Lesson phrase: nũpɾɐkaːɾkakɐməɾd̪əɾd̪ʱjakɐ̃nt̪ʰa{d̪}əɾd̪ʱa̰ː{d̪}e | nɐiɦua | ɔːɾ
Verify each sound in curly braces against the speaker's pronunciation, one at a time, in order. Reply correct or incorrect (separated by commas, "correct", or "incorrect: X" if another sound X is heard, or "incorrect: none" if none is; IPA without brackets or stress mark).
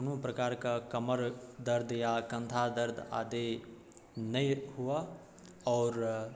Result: correct, correct